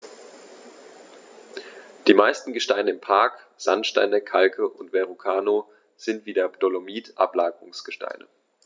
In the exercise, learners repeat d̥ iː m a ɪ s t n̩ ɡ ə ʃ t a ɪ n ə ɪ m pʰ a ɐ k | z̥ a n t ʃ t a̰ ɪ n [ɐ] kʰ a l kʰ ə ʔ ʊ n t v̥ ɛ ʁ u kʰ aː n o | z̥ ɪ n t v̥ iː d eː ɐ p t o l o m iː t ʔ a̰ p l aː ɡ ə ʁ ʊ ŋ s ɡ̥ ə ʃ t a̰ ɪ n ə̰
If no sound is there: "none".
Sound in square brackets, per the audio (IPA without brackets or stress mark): ə